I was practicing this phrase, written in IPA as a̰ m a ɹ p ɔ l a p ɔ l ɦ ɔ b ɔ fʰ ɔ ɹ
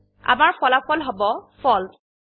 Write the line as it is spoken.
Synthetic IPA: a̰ m a ɹ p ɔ l a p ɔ l ɦ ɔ b ɔ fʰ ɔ l